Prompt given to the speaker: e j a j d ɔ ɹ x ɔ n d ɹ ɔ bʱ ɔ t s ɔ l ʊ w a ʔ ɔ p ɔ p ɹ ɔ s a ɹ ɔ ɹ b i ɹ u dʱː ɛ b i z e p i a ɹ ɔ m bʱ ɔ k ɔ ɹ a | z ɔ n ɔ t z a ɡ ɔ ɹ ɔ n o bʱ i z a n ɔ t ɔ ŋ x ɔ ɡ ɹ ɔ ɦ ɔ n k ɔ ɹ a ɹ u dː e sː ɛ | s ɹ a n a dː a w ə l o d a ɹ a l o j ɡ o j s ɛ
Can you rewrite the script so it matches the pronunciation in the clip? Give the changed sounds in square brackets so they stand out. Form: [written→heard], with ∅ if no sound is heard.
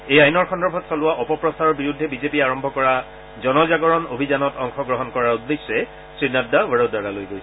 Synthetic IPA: e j a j [d→n] ɔ ɹ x ɔ n d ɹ ɔ bʱ ɔ t s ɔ l ʊ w a ʔ ɔ p ɔ p ɹ ɔ s a ɹ ɔ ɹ b i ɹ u dʱː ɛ b i z e p i a ɹ ɔ m bʱ ɔ k ɔ ɹ a | z ɔ n ɔ [t→∅] z a ɡ ɔ ɹ ɔ n o bʱ i z a n ɔ t ɔ ŋ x ɔ ɡ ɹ ɔ ɦ ɔ n k ɔ ɹ a ɹ u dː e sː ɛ | s ɹ [a→i] n a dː a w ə [l→ɹ] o d a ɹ a l o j ɡ o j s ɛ